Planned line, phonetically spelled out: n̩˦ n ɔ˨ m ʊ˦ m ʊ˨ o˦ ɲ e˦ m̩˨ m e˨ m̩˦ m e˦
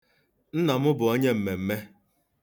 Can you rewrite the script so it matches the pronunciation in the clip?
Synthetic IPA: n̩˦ n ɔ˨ m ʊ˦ b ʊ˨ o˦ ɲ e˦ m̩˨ m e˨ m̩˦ m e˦